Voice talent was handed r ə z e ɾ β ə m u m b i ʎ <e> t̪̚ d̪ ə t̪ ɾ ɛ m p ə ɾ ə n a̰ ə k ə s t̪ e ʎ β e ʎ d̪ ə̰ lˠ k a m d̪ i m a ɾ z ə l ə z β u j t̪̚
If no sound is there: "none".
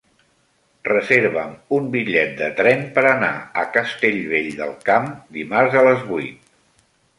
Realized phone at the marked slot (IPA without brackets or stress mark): ɛ